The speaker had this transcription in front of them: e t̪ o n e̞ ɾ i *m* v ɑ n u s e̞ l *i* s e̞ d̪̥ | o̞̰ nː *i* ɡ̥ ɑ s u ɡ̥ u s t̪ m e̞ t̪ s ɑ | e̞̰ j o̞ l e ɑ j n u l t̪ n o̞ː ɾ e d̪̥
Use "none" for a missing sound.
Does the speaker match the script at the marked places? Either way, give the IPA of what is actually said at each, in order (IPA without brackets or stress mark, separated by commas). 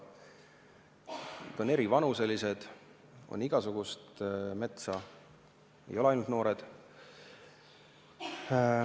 none, i, i